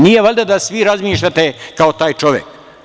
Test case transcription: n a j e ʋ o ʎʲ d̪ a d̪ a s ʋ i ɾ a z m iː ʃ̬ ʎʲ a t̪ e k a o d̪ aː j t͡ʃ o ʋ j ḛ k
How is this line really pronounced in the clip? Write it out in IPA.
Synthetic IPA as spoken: n i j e ʋ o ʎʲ d̪ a d̪ a s ʋ i ɾ a z m iː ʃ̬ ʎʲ a t̪ e k a o t̪ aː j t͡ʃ o ʋ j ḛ k